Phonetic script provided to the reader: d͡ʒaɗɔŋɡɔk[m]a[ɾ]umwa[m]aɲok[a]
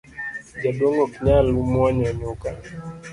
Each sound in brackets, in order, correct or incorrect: incorrect, incorrect, incorrect, correct

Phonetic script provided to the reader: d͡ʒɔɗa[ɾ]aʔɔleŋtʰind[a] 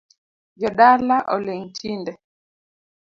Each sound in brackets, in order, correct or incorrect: incorrect, incorrect

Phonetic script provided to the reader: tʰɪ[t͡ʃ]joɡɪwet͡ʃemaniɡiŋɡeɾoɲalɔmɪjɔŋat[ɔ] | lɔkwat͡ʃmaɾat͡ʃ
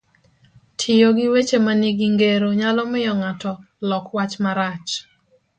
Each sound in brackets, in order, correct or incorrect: incorrect, correct

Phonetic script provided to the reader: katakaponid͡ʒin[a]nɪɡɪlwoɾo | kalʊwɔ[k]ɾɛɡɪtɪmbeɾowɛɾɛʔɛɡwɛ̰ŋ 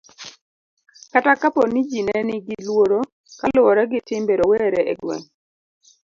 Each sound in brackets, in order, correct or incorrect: incorrect, incorrect

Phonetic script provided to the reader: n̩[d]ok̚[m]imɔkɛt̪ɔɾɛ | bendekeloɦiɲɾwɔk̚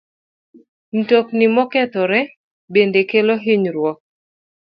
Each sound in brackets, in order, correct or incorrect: incorrect, incorrect

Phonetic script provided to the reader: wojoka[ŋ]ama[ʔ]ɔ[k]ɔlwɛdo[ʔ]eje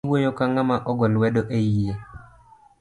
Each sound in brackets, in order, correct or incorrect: correct, correct, incorrect, correct

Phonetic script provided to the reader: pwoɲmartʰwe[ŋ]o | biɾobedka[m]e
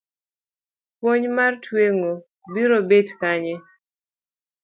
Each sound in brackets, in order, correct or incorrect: correct, incorrect

